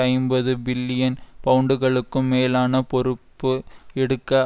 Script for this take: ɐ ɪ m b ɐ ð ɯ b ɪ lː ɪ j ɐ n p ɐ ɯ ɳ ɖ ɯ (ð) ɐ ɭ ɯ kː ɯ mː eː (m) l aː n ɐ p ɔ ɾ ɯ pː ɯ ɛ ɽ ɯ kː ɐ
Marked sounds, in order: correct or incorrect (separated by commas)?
incorrect, incorrect